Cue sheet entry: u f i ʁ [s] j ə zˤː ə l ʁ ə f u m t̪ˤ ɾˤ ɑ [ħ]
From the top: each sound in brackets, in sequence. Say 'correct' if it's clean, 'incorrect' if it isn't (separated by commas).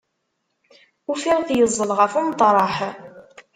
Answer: incorrect, correct